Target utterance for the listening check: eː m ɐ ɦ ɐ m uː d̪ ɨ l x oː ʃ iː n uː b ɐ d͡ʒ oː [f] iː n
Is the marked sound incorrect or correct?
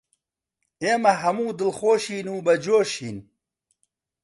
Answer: incorrect